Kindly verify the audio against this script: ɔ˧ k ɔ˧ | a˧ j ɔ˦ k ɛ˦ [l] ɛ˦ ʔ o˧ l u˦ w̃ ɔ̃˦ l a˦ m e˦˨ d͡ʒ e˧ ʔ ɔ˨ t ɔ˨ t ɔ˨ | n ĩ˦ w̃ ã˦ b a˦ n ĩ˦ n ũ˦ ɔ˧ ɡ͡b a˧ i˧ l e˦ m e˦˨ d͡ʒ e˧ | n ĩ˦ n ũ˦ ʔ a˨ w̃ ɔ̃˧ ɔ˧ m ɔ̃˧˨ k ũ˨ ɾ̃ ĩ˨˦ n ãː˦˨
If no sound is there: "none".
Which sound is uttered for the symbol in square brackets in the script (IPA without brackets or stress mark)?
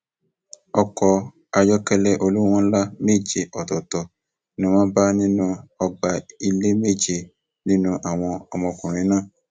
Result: l